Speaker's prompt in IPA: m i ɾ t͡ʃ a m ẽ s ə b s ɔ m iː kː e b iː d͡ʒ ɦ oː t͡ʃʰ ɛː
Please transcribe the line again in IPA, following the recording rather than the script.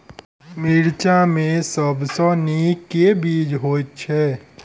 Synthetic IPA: m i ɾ t͡ʃ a m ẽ s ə b s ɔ n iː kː e b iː d͡ʒ ɦ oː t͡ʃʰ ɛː